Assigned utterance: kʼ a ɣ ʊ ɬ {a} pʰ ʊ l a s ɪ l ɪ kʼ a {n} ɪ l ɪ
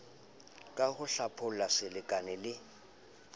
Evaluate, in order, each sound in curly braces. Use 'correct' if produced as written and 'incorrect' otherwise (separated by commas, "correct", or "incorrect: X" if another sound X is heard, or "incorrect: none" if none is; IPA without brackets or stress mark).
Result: correct, correct